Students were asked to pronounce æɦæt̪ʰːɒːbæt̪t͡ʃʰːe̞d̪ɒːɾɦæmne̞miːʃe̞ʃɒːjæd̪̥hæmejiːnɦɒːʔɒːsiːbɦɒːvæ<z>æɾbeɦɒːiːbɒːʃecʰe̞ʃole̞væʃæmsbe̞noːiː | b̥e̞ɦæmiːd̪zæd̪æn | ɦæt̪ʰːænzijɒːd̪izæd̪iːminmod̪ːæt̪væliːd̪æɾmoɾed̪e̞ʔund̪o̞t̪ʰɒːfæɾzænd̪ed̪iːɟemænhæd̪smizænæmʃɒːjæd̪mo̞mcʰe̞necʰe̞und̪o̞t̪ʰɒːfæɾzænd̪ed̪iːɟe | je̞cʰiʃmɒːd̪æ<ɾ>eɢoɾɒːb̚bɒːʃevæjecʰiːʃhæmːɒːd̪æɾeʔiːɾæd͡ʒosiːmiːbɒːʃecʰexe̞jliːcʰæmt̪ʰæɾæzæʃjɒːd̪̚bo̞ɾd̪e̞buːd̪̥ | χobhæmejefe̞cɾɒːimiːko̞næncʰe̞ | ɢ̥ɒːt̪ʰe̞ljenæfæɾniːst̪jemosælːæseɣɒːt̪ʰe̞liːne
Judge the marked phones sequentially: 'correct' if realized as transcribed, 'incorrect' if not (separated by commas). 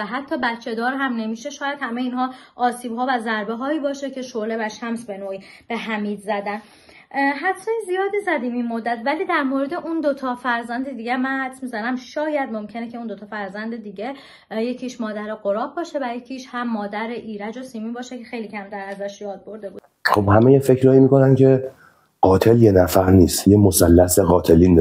correct, correct